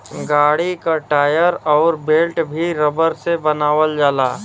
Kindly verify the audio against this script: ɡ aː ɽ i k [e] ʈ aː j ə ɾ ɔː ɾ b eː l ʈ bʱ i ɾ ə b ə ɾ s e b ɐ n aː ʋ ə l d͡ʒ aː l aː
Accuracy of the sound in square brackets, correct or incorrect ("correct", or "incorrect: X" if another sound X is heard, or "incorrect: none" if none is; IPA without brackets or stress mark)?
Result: incorrect: a